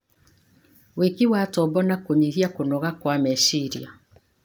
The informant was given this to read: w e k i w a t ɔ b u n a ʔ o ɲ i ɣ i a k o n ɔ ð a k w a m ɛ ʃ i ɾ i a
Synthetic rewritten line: w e k i w a t ɔ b ɔ n a k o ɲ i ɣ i a k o n ɔ ɣ a k w a m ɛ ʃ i ɾ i a